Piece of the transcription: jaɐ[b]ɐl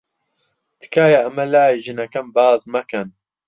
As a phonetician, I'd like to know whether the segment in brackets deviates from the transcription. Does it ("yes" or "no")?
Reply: yes